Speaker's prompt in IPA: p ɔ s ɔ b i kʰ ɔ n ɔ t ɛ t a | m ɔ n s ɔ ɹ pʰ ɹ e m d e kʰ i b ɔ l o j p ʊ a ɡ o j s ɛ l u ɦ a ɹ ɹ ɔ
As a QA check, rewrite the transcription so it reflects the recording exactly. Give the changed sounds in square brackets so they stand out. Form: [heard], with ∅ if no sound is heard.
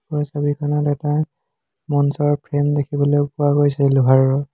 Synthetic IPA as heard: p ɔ s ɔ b i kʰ ɔ n ɔ t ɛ t a | m ɔ n s ɔ ɹ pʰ ɹ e m d e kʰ i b ɔ l o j p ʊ a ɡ o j s ɛ l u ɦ a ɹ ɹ ɔ